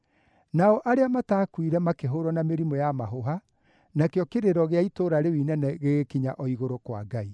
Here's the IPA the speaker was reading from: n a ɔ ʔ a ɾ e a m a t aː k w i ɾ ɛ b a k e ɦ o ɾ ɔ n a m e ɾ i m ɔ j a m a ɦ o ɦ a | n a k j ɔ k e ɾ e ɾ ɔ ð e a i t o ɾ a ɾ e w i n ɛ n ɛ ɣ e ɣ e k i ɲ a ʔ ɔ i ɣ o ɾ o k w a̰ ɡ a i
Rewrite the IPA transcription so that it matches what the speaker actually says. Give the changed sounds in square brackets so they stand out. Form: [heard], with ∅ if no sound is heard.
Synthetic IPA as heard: n a ɔ ʔ a ɾ e a m a t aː k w i ɾ ɛ [m] a k e ɦ o ɾ ɔ n a m e ɾ i m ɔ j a m a ɦ o ɦ a | n a k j ɔ k e ɾ e ɾ ɔ [ɣ] e a i t o ɾ a ɾ e w i n ɛ n ɛ ɣ e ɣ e k i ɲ a ʔ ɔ i ɣ o ɾ o k w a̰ ɡ a i

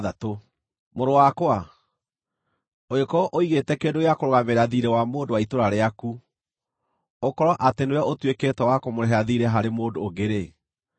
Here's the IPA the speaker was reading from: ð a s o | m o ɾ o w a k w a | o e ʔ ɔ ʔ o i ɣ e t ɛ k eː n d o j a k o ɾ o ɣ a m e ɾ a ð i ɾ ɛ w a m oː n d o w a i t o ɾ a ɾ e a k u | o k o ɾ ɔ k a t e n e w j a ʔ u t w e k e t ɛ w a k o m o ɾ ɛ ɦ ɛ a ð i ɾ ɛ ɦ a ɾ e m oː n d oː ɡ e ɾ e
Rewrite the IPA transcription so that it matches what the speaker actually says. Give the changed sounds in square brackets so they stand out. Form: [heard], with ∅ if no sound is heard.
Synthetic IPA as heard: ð a [t] o | m o ɾ o w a k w a | o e [k] ɔ ʔ o i ɣ e t ɛ k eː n d o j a k o ɾ o ɣ a m e ɾ a ð i ɾ ɛ w a m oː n d o w a i t o ɾ a ɾ e a k u | o k [ɔ] ɾ ɔ [ʔ] a t e n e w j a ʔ [o] t w e k e t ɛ w a k o m o ɾ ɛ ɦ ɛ a ð i ɾ ɛ ɦ a ɾ e m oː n d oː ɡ e ɾ e

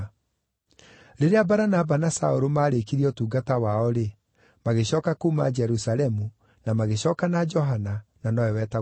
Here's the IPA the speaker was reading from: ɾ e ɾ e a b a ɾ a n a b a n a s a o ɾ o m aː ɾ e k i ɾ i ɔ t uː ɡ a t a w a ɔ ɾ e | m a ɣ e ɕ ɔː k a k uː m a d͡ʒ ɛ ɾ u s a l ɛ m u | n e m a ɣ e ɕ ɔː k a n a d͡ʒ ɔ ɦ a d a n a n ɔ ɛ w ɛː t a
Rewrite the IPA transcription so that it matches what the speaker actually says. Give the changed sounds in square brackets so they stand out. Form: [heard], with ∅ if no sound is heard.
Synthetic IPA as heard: ɾ e ɾ e a b a ɾ a n a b a n a s a o ɾ o m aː ɾ e k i ɾ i ɔ t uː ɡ a t a w a ɔ ɾ e | m a ɣ e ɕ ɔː k a k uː m a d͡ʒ ɛ ɾ u s a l ɛ m u | n [a] m a ɣ e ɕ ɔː k a n a d͡ʒ ɔ ɦ a [n] a n a n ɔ ɛ w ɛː t a

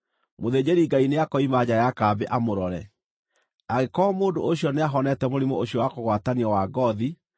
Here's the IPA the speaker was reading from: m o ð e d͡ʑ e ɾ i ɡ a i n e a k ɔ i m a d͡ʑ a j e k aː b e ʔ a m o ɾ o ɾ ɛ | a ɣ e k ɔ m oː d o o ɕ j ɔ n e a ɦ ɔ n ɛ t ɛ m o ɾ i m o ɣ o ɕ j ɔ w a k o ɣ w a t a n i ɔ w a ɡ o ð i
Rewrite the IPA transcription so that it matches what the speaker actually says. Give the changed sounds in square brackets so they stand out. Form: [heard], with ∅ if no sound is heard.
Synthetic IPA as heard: m o ð e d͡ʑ e ɾ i ɡ a i n e a k ɔ i m a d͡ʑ a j [a] k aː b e ʔ a m o ɾ [ɔ] ɾ ɛ | a ɣ e k ɔ m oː d o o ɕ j ɔ n e a ɦ ɔ n ɛ t ɛ m o ɾ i m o [∅] o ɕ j ɔ w a k o ɣ w a t a n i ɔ w a ɡ [ɔ] ð i

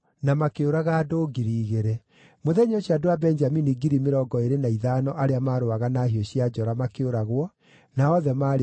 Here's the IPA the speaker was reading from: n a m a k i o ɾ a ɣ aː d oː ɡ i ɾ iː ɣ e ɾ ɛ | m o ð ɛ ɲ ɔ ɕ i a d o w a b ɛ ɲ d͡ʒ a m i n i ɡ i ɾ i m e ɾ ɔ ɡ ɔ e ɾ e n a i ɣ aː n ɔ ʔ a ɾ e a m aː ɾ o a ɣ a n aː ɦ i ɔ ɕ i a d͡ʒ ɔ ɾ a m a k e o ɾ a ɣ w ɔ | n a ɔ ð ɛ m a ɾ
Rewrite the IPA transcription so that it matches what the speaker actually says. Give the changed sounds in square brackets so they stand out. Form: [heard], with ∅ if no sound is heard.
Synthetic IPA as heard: n a m a k [e] o ɾ a ɣ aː d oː ɡ i ɾ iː ɣ e ɾ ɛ | m o ð ɛ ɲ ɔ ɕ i a d o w a b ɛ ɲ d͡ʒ a m i n i ɡ i ɾ i m e ɾ ɔ ɡ ɔ e ɾ e n a i [ð] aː n ɔ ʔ a ɾ e a m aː ɾ o a ɣ a n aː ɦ i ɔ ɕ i a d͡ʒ ɔ ɾ a m a k e o ɾ a ɣ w ɔ | n a ɔ ð ɛ m a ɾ

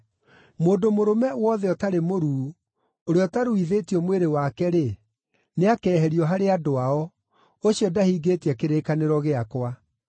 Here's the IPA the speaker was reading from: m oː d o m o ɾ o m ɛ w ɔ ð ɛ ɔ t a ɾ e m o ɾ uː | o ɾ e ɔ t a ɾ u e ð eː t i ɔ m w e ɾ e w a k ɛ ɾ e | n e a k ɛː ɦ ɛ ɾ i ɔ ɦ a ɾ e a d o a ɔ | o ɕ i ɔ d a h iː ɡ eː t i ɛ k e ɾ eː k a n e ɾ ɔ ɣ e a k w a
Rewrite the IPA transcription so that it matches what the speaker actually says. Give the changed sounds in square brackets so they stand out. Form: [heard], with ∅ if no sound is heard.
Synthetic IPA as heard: m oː d o m o ɾ o m ɛ w ɔ ð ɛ ɔ t a ɾ e m o ɾ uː | o ɾ e ɔ t a ɾ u [i] ð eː t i ɔ m w e ɾ e w a k ɛ ɾ e | n e a k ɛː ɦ ɛ ɾ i ɔ ɦ a ɾ e a d o a ɔ | o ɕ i ɔ d a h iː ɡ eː t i ɛ k e ɾ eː k a n e ɾ ɔ ɣ e a k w a

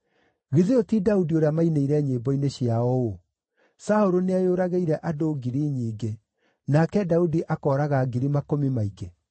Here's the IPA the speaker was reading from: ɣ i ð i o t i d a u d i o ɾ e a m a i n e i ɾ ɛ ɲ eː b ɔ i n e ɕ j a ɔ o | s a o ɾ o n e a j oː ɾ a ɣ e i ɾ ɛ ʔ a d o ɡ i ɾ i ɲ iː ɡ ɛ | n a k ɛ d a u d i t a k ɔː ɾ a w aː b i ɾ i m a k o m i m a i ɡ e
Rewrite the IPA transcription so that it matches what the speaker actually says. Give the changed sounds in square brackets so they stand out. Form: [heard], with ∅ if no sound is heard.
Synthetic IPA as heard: ɣ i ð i o t i d a u d i o ɾ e a m a i n e i ɾ ɛ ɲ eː b ɔ i n e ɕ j a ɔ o | s a o ɾ o n e a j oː ɾ a ɣ e i ɾ ɛ ʔ a d o ɡ i ɾ i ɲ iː ɡ [e] | n a k ɛ d a u d i [ʔ] a k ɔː ɾ a [ɣ] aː [ɡ] i ɾ i m a k o m i m a i ɡ e

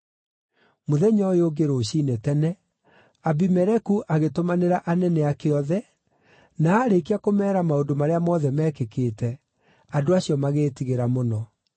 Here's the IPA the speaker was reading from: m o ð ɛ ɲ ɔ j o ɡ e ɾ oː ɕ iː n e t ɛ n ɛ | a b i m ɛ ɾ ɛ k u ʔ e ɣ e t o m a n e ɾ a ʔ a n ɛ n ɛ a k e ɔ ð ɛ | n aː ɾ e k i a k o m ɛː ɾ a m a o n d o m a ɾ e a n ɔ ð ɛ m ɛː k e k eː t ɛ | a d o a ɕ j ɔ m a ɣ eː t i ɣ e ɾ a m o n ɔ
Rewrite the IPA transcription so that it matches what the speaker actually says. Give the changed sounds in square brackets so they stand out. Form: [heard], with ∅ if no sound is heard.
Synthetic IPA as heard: m o ð ɛ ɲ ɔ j o ɡ e ɾ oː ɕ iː n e t ɛ n ɛ | a b i m ɛ ɾ ɛ k u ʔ [a] ɣ e t o m a n e ɾ a ʔ a n ɛ n ɛ a k e ɔ ð ɛ | n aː ɾ e k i a k o m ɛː ɾ a m a o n d o m a ɾ e a [m] ɔ ð ɛ m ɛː k e k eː t ɛ | a d o a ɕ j ɔ m a ɣ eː t i ɣ e ɾ a m o n ɔ

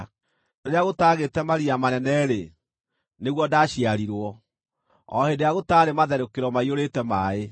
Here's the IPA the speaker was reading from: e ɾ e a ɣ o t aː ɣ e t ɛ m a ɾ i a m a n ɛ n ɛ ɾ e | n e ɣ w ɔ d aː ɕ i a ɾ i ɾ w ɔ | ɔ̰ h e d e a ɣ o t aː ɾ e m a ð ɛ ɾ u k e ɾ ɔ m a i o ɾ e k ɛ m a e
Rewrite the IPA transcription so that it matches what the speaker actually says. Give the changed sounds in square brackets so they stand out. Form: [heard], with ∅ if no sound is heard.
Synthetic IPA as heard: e ɾ e a ɣ o t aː ɣ e t ɛ m a ɾ i a m a n ɛ n ɛ ɾ e | n e ɣ w ɔ d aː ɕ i a ɾ i ɾ w ɔ | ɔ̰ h e d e a ɣ o t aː ɾ e m a ð ɛ ɾ [o] k e ɾ ɔ m a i o ɾ e [t] ɛ m a e

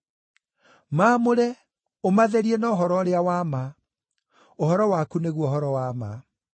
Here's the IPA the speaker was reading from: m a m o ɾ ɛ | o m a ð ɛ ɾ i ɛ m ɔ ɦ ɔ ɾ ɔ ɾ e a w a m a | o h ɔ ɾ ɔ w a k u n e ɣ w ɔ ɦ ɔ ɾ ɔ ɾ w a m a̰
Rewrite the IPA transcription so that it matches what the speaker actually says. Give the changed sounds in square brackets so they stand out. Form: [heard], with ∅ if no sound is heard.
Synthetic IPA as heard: m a m o ɾ ɛ | o m a ð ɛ ɾ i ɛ [n] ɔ ɦ ɔ ɾ ɔ ɾ e a w a m a | o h ɔ ɾ ɔ w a k u n e ɣ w ɔ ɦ ɔ ɾ ɔ [∅] w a m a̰

